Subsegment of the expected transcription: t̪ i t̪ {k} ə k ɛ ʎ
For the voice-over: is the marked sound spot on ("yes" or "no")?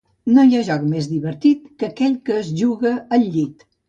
yes